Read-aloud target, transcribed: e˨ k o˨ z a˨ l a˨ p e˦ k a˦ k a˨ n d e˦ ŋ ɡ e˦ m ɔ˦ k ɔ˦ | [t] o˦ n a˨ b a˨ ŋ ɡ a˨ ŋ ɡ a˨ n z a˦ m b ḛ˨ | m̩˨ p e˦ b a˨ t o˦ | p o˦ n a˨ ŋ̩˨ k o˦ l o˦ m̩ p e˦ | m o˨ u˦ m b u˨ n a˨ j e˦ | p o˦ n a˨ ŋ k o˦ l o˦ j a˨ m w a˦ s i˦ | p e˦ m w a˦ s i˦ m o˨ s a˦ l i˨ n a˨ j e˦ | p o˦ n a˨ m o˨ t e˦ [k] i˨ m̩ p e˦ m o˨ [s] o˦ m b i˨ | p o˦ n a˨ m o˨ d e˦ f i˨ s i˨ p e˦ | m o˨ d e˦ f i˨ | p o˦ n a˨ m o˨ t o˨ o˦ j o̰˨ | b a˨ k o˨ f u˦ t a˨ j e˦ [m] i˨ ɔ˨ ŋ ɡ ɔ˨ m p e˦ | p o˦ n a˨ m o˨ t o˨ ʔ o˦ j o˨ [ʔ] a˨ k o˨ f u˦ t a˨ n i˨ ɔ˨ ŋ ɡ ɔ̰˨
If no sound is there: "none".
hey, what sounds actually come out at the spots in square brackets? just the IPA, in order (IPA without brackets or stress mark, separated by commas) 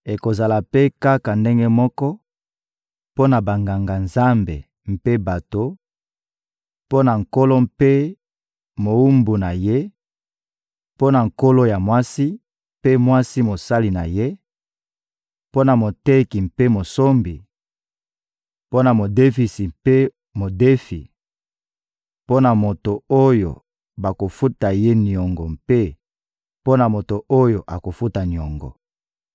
p, k, s, n, ʔ